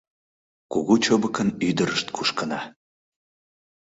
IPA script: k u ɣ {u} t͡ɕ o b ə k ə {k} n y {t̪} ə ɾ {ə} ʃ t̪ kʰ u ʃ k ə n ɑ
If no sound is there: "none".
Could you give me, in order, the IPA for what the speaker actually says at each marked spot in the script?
u, none, d̪, ə

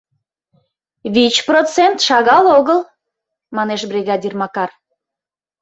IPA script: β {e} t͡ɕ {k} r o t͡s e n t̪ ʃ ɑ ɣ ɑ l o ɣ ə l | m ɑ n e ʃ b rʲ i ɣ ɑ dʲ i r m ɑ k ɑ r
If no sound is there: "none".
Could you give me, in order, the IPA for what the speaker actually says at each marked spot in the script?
i, p

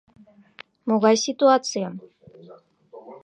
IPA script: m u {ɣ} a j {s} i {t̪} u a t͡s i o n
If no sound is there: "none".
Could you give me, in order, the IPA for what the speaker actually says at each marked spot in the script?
ɣ, s, t̪

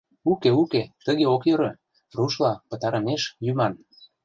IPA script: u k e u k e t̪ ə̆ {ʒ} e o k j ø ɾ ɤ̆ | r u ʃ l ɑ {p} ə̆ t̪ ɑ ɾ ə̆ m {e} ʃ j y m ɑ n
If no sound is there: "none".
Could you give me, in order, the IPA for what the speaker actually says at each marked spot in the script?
ɣ, p, e

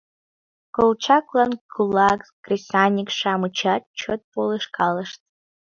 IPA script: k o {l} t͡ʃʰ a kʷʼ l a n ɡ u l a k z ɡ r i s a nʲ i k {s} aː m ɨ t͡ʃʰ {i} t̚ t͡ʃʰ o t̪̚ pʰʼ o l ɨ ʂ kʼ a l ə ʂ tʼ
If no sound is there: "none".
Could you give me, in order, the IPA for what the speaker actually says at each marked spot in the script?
l, ʂ, a

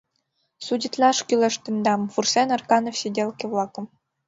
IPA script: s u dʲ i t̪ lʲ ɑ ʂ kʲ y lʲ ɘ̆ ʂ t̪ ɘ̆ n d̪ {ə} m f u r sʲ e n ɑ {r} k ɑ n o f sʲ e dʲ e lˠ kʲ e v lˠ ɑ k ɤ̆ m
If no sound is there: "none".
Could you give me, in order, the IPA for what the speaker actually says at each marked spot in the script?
ɑ, r

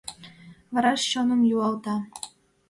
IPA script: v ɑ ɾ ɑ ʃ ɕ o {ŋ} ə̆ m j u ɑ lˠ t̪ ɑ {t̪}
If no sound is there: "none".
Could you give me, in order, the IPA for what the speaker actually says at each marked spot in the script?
n, none

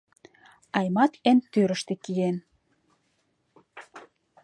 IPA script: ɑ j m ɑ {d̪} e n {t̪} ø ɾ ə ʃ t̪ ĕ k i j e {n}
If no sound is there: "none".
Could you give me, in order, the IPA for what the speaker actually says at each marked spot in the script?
t̪, t̪, n

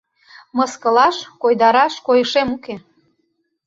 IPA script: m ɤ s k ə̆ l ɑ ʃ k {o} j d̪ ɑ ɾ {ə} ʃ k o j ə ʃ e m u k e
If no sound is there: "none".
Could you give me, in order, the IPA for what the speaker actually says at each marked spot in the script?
o, ɑ

